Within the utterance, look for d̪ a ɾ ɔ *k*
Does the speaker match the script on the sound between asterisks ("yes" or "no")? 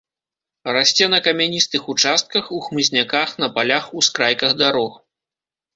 no